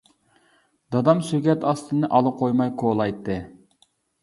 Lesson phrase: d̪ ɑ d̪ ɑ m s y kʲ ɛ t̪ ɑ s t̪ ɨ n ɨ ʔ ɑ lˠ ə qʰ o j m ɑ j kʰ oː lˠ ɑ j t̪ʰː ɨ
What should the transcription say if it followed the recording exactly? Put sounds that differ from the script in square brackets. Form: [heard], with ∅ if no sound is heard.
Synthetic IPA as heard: d̪ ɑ d̪ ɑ m s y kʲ ɛ t̪ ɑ s t̪ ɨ n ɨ ʔ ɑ lˠ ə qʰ o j m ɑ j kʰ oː lˠ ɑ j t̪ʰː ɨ

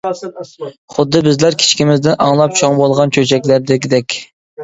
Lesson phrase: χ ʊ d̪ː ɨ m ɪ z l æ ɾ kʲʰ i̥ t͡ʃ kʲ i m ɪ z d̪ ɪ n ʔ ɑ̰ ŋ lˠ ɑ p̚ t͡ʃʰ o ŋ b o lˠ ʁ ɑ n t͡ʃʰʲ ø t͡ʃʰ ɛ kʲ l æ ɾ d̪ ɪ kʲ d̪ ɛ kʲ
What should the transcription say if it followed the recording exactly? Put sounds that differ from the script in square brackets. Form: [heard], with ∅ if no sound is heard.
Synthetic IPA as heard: χ ʊ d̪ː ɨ [b] ɪ z l æ ɾ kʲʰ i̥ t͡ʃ kʲ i m ɪ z d̪ ɪ n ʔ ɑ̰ ŋ lˠ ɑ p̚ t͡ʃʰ o ŋ b o lˠ ʁ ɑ n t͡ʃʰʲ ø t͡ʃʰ ɛ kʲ l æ ɾ d̪ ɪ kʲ d̪ ɛ kʲ

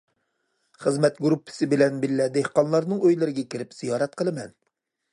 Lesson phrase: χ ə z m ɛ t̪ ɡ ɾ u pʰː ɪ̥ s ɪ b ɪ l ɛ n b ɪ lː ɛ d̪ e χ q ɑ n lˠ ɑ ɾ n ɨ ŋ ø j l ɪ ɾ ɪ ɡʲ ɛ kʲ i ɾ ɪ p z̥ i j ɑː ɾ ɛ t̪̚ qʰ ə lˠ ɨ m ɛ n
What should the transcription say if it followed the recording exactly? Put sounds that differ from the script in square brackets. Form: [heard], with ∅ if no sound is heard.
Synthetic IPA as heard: χ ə z m ɛ t̪ ɡ ɾ u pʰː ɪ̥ s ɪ b ɪ l ɛ n b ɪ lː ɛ d̪ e [h] q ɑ n lˠ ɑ ɾ n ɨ ŋ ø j l ɪ ɾ ɪ ɡʲ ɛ kʲ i ɾ ɪ p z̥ i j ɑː ɾ ɛ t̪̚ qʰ ə lˠ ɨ m ɛ n

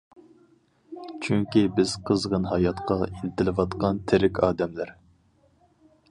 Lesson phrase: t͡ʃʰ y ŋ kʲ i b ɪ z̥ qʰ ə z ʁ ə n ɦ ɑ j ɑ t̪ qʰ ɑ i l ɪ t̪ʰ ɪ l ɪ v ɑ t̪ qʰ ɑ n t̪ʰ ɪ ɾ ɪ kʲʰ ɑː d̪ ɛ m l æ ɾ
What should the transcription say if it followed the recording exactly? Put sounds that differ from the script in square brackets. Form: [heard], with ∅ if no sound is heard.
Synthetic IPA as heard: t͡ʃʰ y ŋ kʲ i b ɪ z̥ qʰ ə z ʁ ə n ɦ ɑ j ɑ t̪ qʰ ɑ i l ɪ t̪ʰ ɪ l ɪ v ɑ t̪ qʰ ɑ n t̪ʰ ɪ ɾ ɪ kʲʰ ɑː d̪ ɛ m l æ ɾ

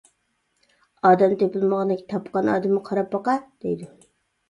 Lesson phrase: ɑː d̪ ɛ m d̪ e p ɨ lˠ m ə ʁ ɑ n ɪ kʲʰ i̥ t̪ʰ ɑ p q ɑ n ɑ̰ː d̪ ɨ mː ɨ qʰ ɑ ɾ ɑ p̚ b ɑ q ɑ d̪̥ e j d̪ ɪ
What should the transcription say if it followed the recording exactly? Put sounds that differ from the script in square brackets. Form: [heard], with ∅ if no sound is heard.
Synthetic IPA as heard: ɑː d̪ ɛ m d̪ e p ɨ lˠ m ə ʁ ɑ n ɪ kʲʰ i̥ t̪ʰ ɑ p q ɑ n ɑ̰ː d̪ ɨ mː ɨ qʰ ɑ ɾ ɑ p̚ b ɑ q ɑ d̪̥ e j d̪ ɪ

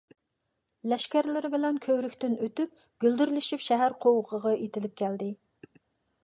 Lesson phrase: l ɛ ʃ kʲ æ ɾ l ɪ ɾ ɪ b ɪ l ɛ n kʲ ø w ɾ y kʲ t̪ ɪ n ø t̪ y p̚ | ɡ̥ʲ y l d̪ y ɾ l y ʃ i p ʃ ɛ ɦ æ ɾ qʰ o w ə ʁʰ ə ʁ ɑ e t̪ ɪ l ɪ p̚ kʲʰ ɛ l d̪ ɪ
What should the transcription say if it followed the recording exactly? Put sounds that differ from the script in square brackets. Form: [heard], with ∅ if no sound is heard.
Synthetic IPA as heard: l ɛ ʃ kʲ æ ɾ l ɪ ɾ ɪ b ɪ l ɛ n [kʲʰ] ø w ɾ y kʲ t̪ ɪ n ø t̪ y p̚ | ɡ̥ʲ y l d̪ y ɾ l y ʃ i p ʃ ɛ ɦ æ ɾ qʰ o w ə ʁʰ ə ʁ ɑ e t̪ ɪ l ɪ p̚ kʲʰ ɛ l d̪ ɪ

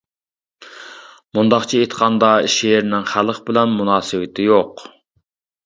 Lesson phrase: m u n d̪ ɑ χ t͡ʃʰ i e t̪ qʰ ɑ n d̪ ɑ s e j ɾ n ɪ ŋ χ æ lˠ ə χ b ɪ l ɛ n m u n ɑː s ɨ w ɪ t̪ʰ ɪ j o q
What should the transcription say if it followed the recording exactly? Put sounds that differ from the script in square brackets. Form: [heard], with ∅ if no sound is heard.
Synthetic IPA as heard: m u n d̪ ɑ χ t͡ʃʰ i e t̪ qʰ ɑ n d̪ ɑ [ʃ] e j ɾ n ɪ ŋ χ æ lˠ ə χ b ɪ l ɛ n m u n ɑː s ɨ w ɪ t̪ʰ ɪ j o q

